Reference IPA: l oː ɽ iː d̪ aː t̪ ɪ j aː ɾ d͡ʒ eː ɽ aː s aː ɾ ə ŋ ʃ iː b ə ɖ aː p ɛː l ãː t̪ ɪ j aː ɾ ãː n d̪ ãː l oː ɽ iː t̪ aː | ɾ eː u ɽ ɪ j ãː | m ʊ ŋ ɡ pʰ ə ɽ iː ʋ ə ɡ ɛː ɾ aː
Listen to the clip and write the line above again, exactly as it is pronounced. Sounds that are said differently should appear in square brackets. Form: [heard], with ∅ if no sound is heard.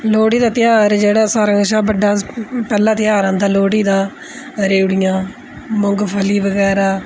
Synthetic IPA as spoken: l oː ɽ iː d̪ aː t̪ ɪ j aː ɾ d͡ʒ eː ɽ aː s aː ɾ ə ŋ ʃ [aː] b ə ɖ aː p ɛː l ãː t̪ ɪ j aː ɾ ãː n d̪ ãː l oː ɽ iː [d̪] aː | ɾ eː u ɽ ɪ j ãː | m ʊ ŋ ɡ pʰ ə [l] iː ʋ ə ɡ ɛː ɾ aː